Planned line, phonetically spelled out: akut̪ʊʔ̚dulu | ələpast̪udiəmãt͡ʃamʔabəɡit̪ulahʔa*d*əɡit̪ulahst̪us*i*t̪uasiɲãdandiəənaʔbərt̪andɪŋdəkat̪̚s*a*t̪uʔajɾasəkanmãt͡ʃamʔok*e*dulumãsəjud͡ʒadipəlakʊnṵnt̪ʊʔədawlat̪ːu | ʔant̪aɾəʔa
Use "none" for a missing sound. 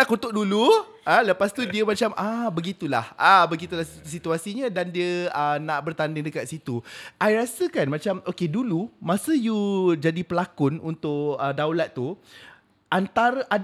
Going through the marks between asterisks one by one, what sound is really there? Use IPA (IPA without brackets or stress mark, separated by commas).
b, i, i, e